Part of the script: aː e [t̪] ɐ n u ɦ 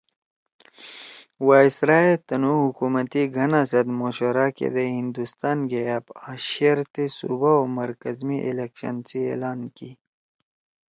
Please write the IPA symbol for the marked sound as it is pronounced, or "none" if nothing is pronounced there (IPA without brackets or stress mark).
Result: t̪